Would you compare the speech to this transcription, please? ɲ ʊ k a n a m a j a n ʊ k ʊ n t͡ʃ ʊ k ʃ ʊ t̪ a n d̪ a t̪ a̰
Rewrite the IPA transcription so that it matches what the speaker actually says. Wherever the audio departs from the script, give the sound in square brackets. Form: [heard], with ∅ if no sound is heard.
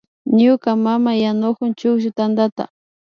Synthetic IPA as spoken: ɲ ʊ k a [m] a m a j a n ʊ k ʊ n t͡ʃ ʊ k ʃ ʊ t̪ a n d̪ a t̪ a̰